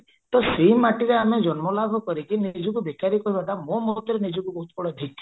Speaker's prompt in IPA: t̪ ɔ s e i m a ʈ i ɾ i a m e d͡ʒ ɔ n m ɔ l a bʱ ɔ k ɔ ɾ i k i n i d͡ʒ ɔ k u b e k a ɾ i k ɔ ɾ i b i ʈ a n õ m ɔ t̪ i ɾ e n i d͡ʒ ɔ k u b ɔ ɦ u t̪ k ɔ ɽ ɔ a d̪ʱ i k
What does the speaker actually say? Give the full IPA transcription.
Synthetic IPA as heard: t̪ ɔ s e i m a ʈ i ɾ e a m e d͡ʒ ɔ n m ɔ l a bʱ ɔ k ɔ ɾ i k i n i d͡ʒ ɔ k u b e k a ɾ i k ɔ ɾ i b a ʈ a m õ m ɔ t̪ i ɾ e n i d͡ʒ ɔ k u b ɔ ɦ u t̪ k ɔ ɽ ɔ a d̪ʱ i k